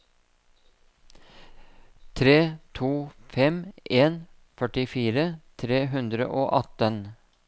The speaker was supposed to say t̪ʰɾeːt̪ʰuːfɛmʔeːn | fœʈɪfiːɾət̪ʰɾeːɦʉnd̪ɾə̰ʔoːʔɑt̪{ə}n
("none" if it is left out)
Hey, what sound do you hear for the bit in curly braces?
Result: ə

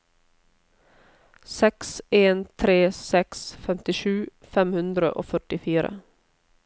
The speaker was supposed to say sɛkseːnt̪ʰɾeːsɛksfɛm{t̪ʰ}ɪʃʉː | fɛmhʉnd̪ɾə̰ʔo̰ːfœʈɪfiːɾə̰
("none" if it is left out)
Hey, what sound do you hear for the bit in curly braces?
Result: t̪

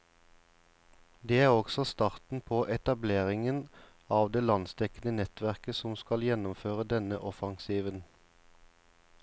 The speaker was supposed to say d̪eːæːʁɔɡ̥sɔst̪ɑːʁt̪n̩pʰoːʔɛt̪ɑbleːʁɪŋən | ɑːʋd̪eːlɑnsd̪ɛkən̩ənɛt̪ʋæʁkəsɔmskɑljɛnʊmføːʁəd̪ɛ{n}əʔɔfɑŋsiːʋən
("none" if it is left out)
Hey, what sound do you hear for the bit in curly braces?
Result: n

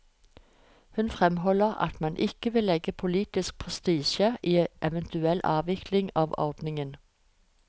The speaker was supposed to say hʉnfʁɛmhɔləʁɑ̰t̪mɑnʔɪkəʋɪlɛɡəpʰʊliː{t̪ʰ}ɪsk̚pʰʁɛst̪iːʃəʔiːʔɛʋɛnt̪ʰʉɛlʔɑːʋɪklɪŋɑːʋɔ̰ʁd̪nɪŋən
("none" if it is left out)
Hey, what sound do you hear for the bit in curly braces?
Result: t̪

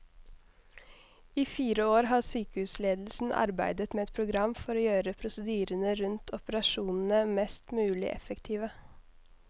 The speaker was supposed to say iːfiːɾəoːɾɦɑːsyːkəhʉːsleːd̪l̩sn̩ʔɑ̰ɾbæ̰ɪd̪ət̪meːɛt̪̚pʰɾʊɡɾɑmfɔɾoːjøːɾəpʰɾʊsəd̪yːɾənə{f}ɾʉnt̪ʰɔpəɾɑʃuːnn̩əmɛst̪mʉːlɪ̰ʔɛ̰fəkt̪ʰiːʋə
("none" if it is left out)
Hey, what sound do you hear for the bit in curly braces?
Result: none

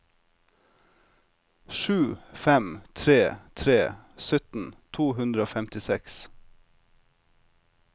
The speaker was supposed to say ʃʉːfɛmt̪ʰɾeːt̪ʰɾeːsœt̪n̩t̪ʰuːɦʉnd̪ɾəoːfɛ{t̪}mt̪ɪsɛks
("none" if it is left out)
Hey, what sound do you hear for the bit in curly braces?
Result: none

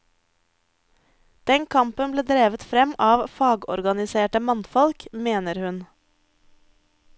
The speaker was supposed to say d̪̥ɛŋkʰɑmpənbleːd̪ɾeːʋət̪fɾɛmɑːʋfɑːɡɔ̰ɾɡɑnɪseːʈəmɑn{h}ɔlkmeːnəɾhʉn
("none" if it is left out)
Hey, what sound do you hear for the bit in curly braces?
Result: f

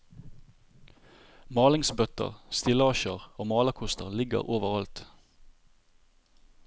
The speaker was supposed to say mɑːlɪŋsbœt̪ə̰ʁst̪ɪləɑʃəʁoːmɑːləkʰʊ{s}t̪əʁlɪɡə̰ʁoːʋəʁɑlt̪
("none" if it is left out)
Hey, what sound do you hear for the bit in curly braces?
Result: s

